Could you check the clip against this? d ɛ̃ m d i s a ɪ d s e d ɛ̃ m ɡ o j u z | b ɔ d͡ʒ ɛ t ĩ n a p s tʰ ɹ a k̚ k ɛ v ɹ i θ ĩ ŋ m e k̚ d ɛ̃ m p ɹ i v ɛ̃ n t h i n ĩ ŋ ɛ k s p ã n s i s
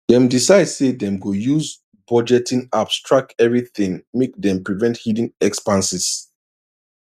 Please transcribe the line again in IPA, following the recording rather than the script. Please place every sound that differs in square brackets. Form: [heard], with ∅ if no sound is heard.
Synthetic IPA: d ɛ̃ m d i s a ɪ d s e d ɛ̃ m ɡ o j u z | b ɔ d͡ʒ ɛ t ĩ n a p s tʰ ɹ a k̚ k ɛ v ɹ i θ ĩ ŋ m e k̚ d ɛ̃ m p ɹ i v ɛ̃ n t h i [d] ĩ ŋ ɛ k s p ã n s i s